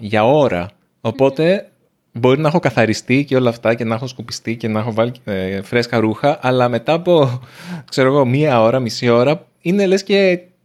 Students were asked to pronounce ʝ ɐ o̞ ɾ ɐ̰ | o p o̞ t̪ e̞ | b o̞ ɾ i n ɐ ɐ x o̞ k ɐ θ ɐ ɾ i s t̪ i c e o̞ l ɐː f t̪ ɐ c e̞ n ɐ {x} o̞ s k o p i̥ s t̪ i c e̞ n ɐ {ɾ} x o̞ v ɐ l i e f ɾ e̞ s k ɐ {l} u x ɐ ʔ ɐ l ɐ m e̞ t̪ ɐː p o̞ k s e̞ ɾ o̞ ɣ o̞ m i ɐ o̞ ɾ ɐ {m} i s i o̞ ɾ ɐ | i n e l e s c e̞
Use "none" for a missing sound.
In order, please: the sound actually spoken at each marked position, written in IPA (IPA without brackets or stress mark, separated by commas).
x, none, ɾ, m